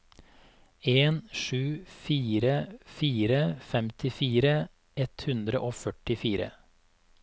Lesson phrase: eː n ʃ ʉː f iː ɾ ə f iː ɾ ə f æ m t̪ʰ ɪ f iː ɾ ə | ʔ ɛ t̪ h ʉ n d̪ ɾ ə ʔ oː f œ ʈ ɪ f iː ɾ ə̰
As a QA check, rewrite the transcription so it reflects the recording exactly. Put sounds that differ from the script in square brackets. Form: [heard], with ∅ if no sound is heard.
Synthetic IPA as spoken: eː n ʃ ʉː f iː ɾ ə f iː ɾ ə f [ɛ] m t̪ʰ ɪ f iː ɾ ə | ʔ ɛ t̪ h ʉ n d̪ ɾ ə ʔ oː f œ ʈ ɪ f iː ɾ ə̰